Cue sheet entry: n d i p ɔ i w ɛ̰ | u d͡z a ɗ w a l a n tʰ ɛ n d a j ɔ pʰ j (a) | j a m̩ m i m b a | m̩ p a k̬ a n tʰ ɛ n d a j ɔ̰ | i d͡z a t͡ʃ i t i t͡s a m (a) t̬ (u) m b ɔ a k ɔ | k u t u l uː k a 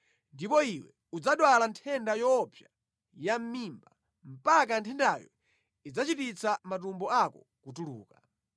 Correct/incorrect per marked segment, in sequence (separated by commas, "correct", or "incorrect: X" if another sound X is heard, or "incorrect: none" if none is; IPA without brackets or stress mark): correct, correct, correct